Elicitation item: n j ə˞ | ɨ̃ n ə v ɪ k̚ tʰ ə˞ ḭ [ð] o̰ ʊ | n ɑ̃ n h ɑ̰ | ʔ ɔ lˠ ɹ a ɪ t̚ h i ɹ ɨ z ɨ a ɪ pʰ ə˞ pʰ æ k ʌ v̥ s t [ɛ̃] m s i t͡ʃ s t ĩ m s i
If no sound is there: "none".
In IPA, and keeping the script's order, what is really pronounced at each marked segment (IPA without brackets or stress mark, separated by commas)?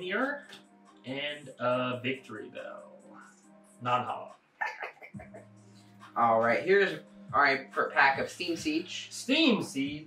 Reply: ð, ĩ